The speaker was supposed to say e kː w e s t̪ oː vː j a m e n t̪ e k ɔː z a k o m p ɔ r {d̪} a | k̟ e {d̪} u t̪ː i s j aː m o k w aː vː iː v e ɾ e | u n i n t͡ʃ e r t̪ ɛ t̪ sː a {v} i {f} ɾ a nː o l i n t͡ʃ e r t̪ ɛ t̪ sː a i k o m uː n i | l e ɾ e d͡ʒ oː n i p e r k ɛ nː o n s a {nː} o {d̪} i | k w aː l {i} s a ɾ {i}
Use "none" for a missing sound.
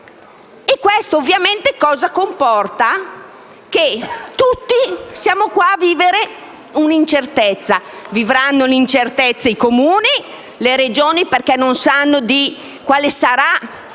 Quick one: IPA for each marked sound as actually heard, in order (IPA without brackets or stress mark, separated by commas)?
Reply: t̪, t̪, v, v, nː, d̪, e, a